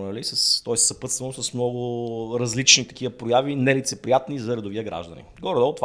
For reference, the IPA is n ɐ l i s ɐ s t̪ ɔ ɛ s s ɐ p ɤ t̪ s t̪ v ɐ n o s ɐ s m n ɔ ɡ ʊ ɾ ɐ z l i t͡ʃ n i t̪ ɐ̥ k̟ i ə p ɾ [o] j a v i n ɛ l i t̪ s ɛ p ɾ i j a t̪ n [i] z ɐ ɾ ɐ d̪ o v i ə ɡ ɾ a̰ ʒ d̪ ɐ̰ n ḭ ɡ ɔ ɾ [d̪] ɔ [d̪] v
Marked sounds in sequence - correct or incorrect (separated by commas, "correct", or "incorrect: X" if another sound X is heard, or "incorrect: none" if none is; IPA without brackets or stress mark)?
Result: correct, correct, correct, incorrect: t̪